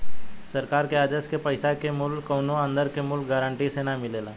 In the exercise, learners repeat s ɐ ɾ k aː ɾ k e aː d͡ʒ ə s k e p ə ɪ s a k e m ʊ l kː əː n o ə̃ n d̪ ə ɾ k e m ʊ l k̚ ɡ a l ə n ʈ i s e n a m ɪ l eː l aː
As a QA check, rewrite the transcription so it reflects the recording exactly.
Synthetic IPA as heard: s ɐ ɾ k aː ɾ k e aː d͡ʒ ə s k e p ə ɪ s a k e m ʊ l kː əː n o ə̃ n d̪ ə ɾ k e m ʊ l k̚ ɡ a ɾ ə ɳ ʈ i s e n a m ɪ l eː l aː